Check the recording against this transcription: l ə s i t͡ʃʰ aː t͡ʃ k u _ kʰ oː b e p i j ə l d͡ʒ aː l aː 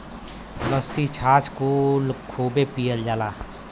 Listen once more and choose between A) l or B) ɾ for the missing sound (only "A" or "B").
A